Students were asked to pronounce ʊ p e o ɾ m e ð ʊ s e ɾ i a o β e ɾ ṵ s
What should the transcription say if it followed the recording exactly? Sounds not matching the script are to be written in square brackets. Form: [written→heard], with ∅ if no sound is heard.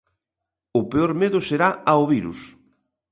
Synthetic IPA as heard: ʊ p e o ɾ m e ð ʊ s e ɾ [i→a] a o β [e→i] ɾ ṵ s